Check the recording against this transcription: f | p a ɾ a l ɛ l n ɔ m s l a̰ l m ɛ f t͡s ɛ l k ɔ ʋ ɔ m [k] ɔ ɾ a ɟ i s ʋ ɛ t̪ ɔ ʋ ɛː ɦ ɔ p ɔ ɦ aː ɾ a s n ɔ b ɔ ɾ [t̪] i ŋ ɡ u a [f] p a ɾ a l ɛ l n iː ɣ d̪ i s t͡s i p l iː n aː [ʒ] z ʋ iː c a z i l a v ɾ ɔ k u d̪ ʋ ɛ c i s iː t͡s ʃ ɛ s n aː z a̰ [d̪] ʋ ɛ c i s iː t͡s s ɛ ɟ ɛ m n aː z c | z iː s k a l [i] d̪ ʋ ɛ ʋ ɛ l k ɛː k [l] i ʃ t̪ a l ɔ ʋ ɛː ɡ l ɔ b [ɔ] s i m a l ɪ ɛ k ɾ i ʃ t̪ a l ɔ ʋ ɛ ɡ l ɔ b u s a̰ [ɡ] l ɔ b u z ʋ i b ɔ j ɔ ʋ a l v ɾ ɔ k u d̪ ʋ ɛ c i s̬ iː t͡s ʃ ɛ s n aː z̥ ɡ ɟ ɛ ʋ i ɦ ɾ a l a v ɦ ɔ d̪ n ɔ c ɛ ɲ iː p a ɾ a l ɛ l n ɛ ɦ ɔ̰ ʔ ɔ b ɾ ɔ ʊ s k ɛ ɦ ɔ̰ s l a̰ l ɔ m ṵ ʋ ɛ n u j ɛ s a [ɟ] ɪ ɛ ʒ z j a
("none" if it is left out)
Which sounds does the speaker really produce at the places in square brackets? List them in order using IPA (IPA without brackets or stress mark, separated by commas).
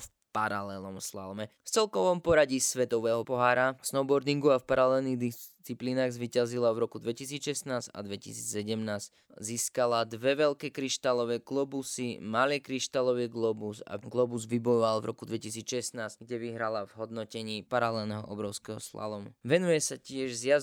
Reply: p, d̪, f, ɣ, d̪, a, ɾ, u, ɡ, c